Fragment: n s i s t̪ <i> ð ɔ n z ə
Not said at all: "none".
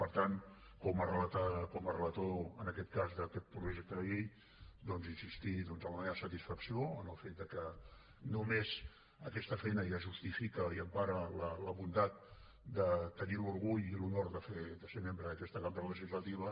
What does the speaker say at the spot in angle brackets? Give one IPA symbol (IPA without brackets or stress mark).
i